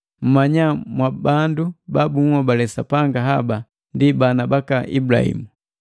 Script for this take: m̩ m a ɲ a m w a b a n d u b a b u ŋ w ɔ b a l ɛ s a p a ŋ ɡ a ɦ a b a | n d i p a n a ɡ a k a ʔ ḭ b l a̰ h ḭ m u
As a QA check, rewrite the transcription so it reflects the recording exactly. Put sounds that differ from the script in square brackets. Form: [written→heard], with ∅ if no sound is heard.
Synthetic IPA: m̩ m a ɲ a m w a b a n d u b a b u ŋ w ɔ b a l ɛ s a p a ŋ ɡ a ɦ a b a | n d i [p→b] a n a [ɡ→b] a k a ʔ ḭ b l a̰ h ḭ m u